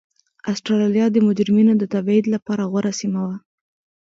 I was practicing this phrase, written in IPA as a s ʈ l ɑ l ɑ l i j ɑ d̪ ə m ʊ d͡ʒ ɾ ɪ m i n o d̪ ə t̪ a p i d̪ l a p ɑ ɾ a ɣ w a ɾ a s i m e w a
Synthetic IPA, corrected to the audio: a s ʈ ɾ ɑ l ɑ l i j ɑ d̪ ə m ʊ d͡ʒ ɾ ɪ m i n o d̪ ə t̪ a b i d̪ l a p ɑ ɾ a ɣ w a ɾ a s i m a w a